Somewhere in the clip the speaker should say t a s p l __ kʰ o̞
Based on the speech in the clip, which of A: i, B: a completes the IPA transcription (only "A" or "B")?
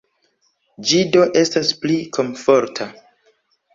A